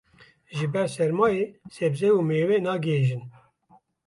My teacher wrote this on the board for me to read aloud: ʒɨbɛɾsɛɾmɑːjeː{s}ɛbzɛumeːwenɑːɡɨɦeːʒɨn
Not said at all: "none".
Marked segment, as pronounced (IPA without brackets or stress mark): s